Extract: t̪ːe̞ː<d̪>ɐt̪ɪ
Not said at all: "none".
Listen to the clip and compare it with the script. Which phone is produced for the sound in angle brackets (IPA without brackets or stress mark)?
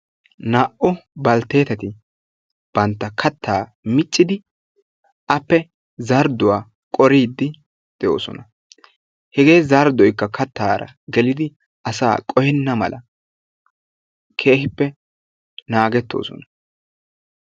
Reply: t̪